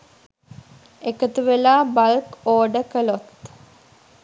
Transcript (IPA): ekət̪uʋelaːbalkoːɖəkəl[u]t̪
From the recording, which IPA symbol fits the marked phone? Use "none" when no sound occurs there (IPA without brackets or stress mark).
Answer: o